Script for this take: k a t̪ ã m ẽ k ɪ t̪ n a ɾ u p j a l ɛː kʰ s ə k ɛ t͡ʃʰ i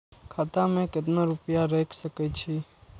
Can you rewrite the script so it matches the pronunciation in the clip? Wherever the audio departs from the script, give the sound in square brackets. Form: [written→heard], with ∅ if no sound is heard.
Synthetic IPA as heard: [k→kʰ] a t̪ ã m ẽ k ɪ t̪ n a ɾ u p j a [l→ɾ] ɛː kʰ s ə k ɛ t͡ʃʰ i